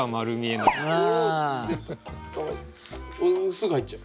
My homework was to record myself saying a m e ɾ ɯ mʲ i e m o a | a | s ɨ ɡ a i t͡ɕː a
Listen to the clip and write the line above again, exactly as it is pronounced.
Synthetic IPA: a m a ɾ ɯ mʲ i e n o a | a | s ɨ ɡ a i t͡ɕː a

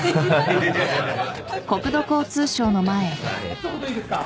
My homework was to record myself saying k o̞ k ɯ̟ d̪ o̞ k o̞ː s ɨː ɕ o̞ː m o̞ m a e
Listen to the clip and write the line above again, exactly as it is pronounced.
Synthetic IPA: k o̞ k ɯ̟ d̪ o̞ k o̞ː t͡s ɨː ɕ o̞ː n o̞ m a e

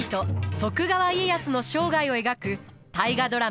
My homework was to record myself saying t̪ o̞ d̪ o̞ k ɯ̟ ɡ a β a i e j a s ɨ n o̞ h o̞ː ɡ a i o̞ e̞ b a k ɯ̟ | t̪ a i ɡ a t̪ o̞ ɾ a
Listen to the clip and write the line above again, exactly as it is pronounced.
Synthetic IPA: t̪ o̞ t̪ o̞ k ɯ̟ ɡ a β a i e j a s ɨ n o̞ ɕ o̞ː ɡ a i o̞ e̞ ɡ a k ɯ̟ | t̪ a i ɡ a d̪ o̞ ɾ a

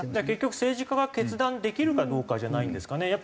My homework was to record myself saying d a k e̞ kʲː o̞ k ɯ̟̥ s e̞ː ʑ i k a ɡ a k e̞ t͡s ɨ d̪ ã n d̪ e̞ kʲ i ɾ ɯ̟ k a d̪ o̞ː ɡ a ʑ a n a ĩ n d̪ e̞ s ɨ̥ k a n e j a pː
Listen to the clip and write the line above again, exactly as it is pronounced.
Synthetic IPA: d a k e̞ kʲː o̞ k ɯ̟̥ s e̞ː ʑ i k a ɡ a k e̞ t͡s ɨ d̪ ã n d̪ e̞ kʲ i ɾ ɯ̟ k a d̪ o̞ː k a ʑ a n a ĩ n d̪ e̞ s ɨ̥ k a n e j a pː

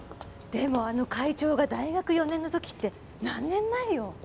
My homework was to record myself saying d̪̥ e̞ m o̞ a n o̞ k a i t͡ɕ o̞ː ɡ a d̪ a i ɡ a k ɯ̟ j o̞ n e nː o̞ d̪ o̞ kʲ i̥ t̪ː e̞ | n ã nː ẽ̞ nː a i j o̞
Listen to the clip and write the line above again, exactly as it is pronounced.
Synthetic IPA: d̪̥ e̞ m o̞ a n o̞ k a i t͡ɕ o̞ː ɡ a d̪ a i ɡ a k ɯ̟ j o̞ n e nː o̞ t̪ o̞ kʲ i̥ t̪ː e̞ | n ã nː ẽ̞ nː a i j o̞

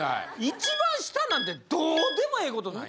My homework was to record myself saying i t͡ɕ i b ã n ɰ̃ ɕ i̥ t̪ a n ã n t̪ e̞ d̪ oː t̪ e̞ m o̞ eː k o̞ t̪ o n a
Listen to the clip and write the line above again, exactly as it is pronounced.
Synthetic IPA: i t͡ɕ i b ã ɰ̃ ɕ i̥ t̪ a n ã n t̪ e̞ d̪ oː d̪ e̞ m o̞ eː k o̞ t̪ o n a

